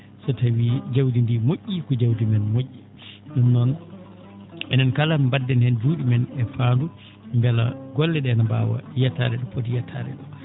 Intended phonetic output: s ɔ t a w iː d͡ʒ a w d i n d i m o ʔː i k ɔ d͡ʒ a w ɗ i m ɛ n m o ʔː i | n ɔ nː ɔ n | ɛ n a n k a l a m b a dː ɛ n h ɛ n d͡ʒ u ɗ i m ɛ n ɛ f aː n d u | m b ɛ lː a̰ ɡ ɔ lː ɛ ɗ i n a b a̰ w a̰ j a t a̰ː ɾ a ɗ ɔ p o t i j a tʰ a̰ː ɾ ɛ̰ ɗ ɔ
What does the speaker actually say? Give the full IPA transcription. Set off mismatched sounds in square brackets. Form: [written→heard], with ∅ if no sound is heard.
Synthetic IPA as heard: s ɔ t a w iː d͡ʒ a w d i n d i m o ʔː i k ɔ d͡ʒ a w [ɗ→d] i m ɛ n m o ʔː i | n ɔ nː ɔ n | ɛ n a n k a l a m b a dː ɛ n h ɛ n d͡ʒ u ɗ i m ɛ n ɛ f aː n d u | m b ɛ [lː→l] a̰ ɡ ɔ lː ɛ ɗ [i→ɛ] n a b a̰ w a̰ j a t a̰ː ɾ [a→ɛ] ɗ ɔ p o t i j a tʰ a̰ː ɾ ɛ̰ ɗ ɔ

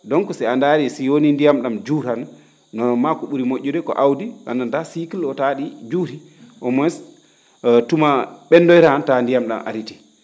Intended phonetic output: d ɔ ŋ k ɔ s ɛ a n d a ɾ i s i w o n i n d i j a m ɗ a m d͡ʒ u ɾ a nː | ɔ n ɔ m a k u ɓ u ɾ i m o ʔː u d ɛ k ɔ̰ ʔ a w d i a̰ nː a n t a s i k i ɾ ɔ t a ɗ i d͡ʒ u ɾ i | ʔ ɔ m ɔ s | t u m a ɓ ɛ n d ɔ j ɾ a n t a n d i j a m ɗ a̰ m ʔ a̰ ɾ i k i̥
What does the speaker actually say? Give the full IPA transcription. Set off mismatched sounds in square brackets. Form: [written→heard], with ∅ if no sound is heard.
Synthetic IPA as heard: d ɔ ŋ k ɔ s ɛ a n d a ɾ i s i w o n i n d i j a m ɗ a m d͡ʒ u ɾ a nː | ɔ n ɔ m a k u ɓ u ɾ i m o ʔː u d ɛ k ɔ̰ ʔ a w d i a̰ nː a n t a s i k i [ɾ→l] ɔ t a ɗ i d͡ʒ u ɾ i | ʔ ɔ m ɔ s | t u m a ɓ ɛ n d ɔ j ɾ a n t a n d i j a m ɗ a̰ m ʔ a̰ ɾ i [k→t] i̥

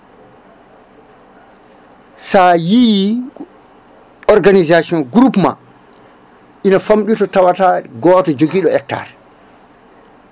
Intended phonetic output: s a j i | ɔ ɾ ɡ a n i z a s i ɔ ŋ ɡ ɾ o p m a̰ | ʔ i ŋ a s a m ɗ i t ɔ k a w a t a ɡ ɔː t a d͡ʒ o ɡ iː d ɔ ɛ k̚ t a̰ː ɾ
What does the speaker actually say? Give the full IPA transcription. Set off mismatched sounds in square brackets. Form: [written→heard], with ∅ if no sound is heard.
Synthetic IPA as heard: s a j i | ɔ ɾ ɡ a n i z a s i ɔ [ŋ→n] ɡ ɾ [o→u] p m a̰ | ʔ i [ŋ→n] a [s→f] a m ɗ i t ɔ [k→t] a w a t a ɡ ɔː t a d͡ʒ o ɡ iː [d→ɗ] ɔ ɛ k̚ t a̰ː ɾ

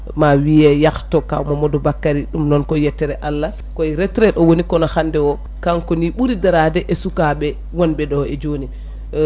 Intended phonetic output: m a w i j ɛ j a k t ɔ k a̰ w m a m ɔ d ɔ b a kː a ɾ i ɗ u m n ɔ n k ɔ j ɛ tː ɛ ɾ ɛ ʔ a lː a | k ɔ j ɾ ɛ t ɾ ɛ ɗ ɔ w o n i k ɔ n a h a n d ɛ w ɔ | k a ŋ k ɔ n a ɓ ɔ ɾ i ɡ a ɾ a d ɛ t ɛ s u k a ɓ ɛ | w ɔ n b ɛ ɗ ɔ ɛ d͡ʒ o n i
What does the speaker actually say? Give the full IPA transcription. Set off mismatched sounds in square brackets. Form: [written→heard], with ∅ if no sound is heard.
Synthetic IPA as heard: m a w i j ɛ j a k t ɔ k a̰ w m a m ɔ d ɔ b a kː a ɾ i ɗ u m n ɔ n k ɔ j ɛ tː ɛ ɾ ɛ ʔ a lː a | k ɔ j ɾ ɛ t ɾ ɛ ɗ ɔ w o n i k ɔ n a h a n d ɛ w ɔ | k a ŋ k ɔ n [a→i] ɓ [ɔ→u] ɾ i [ɡ→d] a ɾ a d ɛ [t→ʔ] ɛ s u k a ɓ ɛ | w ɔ n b ɛ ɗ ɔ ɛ d͡ʒ o n i

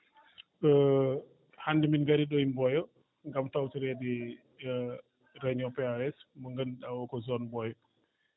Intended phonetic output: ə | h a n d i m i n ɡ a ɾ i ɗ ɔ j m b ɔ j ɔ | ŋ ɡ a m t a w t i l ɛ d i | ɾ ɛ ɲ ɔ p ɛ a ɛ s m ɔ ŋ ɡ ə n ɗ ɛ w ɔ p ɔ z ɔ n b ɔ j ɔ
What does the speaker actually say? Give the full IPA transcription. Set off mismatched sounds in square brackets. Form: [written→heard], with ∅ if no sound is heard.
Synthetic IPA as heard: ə | h a n d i m i n ɡ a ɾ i ɗ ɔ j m b ɔ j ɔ | ŋ ɡ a m t a w t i [l→ɾ] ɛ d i | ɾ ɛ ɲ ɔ p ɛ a ɛ s m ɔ ŋ ɡ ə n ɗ [ɛ→a] w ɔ [p→k] ɔ z ɔ n b ɔ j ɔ

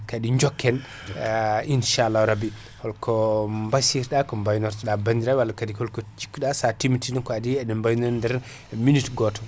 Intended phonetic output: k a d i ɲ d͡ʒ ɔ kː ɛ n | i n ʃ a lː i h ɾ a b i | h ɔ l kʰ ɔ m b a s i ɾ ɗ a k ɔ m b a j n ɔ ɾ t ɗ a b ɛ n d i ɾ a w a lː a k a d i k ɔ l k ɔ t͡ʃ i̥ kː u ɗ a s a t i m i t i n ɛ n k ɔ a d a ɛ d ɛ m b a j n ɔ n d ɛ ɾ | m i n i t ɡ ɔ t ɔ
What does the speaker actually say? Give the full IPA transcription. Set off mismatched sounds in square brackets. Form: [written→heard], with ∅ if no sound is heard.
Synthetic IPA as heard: k a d i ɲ d͡ʒ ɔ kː ɛ n | i n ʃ a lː [i→a] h ɾ a b i | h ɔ l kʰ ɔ m b a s i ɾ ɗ a k ɔ m b a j n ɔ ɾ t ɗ a b [ɛ→a] n d i ɾ a w a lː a k a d i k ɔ l k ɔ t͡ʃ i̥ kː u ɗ a s a t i m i t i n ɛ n k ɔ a d [a→i] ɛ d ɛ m b a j n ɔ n d ɛ ɾ | m i n i t ɡ ɔ t ɔ

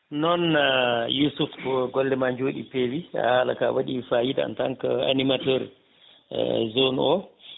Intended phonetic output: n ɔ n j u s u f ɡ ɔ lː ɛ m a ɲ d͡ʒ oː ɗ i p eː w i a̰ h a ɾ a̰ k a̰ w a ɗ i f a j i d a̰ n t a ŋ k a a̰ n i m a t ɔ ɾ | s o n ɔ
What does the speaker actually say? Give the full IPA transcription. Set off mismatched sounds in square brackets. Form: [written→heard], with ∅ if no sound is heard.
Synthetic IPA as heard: n ɔ n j u s u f ɡ ɔ lː ɛ m a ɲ d͡ʒ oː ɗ i p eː w i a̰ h a [ɾ→l] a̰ k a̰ w a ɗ i f a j i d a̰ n t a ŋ k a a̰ n i m a t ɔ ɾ | [s→z] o n ɔ

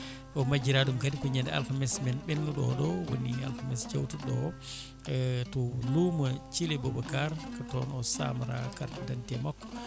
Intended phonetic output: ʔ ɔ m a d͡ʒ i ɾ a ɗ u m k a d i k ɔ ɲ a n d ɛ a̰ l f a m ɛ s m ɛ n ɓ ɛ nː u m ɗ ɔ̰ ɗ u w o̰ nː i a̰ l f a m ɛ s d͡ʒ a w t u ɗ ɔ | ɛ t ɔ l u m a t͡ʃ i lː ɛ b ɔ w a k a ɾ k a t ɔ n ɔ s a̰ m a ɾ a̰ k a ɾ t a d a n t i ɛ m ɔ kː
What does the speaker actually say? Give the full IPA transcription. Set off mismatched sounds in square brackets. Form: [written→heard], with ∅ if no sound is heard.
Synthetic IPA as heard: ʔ ɔ m a d͡ʒ i ɾ a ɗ u m k a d i k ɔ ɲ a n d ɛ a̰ l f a m ɛ s m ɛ n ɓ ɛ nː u [m→∅] ɗ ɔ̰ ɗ [u→ɔ] w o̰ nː i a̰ l f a m ɛ s d͡ʒ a w t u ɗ ɔ | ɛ t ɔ l u m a t͡ʃ i [lː→l] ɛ b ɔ [w→b] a k a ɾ k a t ɔ n ɔ s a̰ m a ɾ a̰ k a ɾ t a d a n t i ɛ m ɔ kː

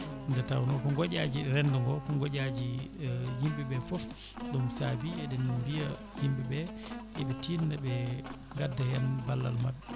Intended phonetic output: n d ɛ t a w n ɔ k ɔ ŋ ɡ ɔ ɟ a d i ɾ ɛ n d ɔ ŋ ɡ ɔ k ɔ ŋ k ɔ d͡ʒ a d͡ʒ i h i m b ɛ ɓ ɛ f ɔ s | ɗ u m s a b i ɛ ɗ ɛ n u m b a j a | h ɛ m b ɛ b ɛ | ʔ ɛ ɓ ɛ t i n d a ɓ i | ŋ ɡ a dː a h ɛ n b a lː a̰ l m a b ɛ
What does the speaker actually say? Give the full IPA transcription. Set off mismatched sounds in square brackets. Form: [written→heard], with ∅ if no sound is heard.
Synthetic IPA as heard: n d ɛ t a w n ɔ k ɔ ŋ ɡ ɔ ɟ a [d→d͡ʒ] i ɾ ɛ n d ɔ ŋ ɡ ɔ k ɔ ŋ [k→ɡ] ɔ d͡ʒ a d͡ʒ i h i m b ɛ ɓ ɛ f ɔ [s→f] | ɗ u m s a b i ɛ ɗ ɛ n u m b [a→i] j a | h [ɛ→i] m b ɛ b ɛ | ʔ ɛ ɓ ɛ t i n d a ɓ [i→ɛ] | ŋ ɡ a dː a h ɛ n b a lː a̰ l m a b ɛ

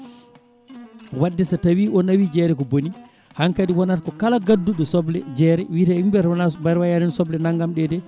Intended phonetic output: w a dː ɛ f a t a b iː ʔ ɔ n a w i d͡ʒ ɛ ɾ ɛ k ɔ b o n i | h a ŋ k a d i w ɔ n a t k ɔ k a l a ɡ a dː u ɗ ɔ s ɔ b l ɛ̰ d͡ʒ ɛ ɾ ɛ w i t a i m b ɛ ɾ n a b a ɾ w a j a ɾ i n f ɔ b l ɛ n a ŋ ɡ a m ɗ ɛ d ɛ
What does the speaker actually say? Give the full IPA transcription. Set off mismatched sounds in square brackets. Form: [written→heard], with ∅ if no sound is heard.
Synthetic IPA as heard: w a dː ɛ [f→s] a t a [b→w] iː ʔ ɔ n a w i d͡ʒ ɛ ɾ ɛ k ɔ b o n i | h a ŋ k a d i w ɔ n a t k ɔ k a l a ɡ a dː u ɗ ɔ s ɔ b l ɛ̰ d͡ʒ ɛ ɾ ɛ w i t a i m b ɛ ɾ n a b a ɾ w a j a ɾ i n [f→s] ɔ b l ɛ n a ŋ ɡ a m ɗ ɛ d ɛ

